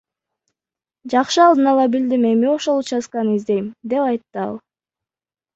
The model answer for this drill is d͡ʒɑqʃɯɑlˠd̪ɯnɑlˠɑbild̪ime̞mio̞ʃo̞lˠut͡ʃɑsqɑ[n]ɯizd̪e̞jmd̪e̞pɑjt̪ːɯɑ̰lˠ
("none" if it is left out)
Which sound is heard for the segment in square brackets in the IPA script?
n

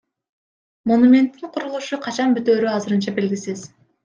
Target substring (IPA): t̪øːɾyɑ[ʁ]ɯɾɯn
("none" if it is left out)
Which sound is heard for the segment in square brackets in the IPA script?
z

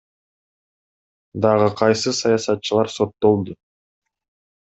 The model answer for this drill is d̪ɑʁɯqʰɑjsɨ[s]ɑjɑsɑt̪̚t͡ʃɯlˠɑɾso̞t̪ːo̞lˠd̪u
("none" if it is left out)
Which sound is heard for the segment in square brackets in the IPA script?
s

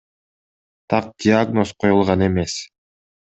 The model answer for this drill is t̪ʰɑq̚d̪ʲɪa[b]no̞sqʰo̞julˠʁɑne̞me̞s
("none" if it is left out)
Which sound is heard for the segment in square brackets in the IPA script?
ɡ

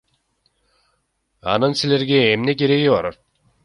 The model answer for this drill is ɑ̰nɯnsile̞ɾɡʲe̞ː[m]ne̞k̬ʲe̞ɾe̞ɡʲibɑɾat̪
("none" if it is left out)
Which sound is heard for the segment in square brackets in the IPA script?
m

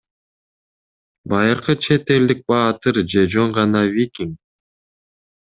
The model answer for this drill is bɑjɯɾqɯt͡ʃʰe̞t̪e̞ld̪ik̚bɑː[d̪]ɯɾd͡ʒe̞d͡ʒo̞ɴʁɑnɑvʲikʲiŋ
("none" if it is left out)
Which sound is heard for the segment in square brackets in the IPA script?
t̪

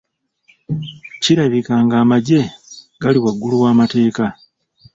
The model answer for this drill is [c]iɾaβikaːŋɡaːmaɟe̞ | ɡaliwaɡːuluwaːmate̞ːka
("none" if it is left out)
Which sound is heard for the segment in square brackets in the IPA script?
c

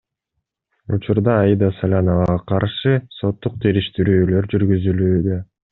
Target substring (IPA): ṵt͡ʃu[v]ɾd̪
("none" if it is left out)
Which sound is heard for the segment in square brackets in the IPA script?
none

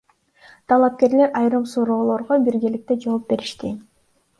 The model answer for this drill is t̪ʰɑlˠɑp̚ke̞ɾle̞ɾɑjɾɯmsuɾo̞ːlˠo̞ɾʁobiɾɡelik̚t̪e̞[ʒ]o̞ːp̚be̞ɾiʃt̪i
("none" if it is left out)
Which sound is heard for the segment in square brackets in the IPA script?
d͡ʒ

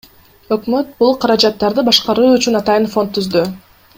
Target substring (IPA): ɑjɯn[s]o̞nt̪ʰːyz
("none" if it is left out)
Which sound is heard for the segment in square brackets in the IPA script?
f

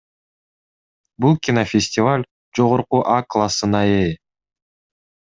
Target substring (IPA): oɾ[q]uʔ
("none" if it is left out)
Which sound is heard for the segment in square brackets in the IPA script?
q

